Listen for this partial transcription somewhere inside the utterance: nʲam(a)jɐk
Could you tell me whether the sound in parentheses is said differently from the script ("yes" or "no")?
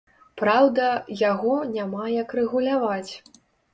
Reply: no